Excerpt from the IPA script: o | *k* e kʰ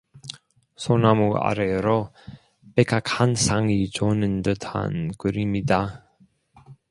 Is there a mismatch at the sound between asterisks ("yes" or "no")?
yes